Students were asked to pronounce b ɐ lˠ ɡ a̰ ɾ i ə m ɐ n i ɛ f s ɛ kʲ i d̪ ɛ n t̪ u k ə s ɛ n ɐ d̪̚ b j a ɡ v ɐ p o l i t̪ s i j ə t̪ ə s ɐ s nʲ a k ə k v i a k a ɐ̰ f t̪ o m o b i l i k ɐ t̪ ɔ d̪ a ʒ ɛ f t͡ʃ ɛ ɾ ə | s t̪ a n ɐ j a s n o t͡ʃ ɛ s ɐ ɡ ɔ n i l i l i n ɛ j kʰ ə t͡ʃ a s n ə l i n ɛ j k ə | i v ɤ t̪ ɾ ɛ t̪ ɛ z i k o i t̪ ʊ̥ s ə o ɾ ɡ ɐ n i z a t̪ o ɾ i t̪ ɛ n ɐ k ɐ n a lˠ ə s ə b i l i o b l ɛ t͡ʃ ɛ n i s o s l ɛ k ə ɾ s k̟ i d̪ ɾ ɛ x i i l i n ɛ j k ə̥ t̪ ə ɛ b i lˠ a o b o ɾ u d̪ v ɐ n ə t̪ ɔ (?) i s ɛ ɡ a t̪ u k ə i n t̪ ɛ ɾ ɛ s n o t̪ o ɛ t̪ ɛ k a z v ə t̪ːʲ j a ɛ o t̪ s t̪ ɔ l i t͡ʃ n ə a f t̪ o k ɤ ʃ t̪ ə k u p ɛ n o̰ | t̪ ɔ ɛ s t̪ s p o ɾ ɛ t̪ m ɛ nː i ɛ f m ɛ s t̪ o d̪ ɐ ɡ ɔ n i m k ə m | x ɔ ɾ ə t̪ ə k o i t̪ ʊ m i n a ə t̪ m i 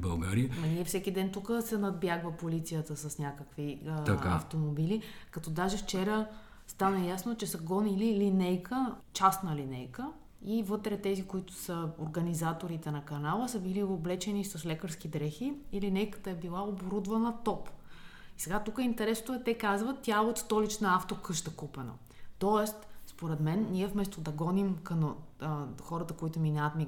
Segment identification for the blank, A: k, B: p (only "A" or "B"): B